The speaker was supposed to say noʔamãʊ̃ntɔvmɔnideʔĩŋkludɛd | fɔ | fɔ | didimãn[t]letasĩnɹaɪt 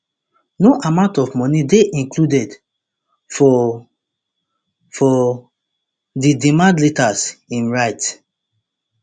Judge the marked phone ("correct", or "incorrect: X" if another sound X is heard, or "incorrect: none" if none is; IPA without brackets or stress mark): incorrect: d